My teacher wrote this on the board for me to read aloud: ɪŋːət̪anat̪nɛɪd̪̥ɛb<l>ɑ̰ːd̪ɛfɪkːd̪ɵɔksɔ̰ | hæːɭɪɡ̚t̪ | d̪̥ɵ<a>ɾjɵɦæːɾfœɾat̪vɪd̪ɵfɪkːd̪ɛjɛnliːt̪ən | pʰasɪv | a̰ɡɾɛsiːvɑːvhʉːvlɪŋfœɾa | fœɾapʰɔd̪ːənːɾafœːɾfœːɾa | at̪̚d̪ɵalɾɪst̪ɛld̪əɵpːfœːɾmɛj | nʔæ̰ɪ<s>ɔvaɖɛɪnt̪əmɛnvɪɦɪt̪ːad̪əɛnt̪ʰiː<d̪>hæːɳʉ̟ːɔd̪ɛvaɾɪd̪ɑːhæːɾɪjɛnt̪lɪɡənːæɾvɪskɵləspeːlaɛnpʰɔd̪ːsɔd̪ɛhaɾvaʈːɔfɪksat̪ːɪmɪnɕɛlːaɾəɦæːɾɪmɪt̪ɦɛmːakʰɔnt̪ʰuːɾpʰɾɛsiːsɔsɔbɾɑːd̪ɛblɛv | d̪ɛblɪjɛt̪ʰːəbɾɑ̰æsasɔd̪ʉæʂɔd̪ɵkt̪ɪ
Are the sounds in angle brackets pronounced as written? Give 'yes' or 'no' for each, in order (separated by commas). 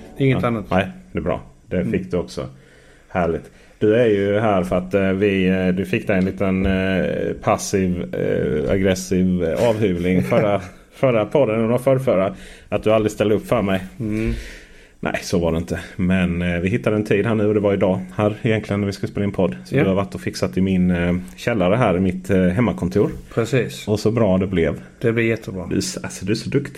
no, no, yes, yes